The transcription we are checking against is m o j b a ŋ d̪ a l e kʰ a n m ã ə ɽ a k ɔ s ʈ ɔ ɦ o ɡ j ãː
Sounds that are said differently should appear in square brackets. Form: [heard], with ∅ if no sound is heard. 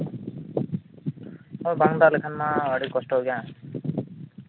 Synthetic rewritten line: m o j b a ŋ d̪ a l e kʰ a n m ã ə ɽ [i] k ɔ s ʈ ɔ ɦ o ɡ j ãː